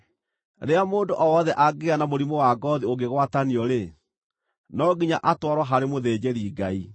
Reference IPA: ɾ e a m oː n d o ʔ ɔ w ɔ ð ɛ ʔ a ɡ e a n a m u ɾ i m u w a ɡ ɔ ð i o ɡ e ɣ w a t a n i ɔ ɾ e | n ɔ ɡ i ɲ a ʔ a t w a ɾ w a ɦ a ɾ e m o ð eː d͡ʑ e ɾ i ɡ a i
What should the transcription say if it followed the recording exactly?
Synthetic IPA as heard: ɾ e a m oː n d o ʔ ɔ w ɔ ð ɛ ʔ a ɡ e a n a m o ɾ i m o w a ɡ ɔ ð i o ɡ e ɣ w a t a n i ɔ ɾ e | n ɔ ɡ i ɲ a ʔ a t w a ɾ w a ɦ a ɾ e m o ð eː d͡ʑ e ɾ i ɡ a i